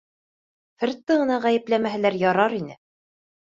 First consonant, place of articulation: labial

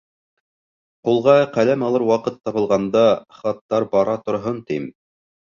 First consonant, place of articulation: uvular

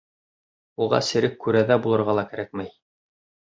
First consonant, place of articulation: uvular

